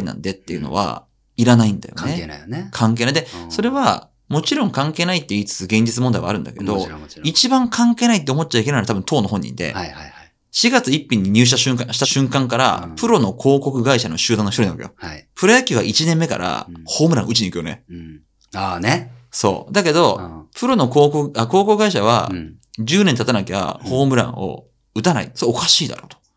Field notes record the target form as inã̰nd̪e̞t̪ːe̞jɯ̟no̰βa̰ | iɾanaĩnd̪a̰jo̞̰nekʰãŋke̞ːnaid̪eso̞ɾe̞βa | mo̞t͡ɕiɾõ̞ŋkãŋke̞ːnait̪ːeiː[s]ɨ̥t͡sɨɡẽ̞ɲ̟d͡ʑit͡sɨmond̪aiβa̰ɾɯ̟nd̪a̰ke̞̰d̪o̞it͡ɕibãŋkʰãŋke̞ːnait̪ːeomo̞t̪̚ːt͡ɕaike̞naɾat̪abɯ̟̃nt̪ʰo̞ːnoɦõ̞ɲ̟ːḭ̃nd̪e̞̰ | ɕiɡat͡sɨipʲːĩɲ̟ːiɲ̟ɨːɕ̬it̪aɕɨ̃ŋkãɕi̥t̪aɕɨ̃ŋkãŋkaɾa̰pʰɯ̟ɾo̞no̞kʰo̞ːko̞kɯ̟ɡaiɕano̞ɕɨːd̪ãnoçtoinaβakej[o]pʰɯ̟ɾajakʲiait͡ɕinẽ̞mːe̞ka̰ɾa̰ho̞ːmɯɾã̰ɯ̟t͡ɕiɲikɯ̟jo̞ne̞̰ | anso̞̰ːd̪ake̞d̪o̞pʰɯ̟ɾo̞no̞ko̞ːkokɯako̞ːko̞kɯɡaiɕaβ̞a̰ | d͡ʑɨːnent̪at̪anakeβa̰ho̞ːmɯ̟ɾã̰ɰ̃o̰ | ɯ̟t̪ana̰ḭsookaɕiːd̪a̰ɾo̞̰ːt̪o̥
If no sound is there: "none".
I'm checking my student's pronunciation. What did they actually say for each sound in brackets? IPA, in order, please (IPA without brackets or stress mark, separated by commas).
t͡s, o